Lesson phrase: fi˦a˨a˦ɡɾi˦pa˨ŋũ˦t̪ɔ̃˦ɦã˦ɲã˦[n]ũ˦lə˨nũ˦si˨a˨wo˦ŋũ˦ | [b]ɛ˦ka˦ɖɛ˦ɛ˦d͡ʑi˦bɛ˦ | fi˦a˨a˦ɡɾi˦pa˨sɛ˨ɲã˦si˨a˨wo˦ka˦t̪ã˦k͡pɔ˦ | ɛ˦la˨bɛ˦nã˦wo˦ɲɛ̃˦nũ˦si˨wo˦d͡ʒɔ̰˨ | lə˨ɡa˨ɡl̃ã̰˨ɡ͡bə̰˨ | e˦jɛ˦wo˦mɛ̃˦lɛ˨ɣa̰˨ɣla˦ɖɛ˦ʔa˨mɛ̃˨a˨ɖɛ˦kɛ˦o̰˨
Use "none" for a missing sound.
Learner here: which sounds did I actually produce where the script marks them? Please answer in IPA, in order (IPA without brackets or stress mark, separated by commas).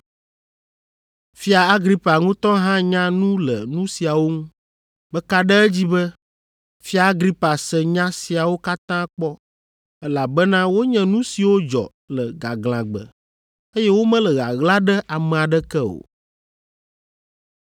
n, b